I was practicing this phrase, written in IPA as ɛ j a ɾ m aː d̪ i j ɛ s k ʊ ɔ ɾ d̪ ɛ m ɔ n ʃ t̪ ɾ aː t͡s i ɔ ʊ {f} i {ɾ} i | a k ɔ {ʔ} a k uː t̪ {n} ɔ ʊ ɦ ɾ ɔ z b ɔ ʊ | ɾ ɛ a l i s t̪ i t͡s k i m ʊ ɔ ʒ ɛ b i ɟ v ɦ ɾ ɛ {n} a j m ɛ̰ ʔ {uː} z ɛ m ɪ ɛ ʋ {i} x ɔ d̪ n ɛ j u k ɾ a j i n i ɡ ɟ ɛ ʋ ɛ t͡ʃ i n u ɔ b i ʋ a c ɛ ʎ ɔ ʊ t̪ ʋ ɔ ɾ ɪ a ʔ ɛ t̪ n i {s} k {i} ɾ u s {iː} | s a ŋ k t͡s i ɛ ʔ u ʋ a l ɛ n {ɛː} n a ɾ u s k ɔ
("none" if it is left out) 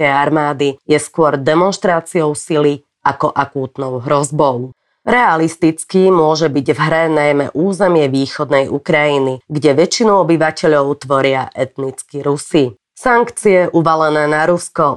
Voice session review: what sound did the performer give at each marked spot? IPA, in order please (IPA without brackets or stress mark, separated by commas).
s, l, ʔ, n, n, uː, iː, t͡s, i, i, ɛː